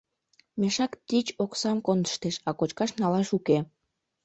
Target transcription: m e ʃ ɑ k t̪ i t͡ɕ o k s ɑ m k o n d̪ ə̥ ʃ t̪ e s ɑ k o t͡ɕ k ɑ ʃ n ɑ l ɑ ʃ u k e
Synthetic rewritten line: m e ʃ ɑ k t̪ i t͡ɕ o k s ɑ m k o n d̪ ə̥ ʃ t̪ e ʃ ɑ k o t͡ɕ k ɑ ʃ n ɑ l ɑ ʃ u k e